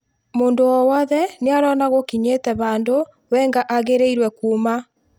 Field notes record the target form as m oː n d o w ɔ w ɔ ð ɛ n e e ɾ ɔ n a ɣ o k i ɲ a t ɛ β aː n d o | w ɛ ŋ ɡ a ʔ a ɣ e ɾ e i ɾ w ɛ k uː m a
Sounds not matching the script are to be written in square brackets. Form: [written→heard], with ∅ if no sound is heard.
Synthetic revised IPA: m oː n d o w ɔ w ɔ ð ɛ n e [e→a] ɾ ɔ n a ɣ o k i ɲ [a→e] t ɛ β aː n d o | w ɛ ŋ ɡ a ʔ a ɣ e ɾ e i ɾ w ɛ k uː m a